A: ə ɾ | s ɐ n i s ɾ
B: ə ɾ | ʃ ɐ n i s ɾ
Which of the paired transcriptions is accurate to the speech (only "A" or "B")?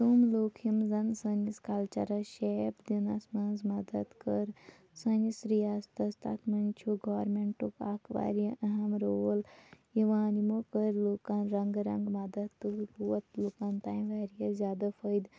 A